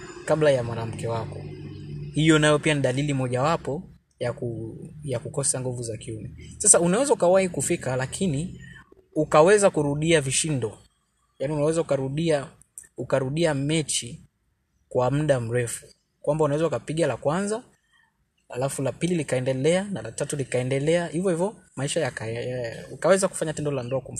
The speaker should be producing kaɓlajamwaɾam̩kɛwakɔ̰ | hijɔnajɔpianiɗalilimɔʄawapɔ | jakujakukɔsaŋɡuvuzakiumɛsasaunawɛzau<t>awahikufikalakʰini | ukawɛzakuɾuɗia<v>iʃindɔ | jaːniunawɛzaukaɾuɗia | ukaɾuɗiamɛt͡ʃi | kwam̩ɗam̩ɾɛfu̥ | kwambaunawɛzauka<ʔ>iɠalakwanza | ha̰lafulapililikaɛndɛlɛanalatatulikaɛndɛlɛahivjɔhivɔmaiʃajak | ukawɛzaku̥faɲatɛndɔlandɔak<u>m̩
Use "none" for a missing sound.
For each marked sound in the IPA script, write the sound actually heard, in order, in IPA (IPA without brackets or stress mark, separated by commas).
k, v, p, u